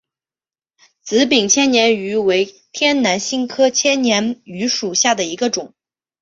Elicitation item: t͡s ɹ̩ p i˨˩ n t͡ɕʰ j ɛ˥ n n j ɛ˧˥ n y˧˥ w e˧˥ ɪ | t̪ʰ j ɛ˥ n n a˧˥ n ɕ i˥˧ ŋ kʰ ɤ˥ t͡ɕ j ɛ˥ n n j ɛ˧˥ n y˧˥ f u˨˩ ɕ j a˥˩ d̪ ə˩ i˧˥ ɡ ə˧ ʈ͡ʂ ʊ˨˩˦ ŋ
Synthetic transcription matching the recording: t͡s ɹ̩ p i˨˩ ŋ t͡ɕʰ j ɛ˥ n n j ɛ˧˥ n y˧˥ w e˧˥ ɪ | t̪ʰ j ɛ˥ n n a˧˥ n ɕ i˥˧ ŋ kʰ ɤ˥ t͡ɕʰ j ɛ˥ n n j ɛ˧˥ n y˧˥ ʂ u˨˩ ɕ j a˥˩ d̪ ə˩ i˧˥ ɡ ə˧ ʈ͡ʂ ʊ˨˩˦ ŋ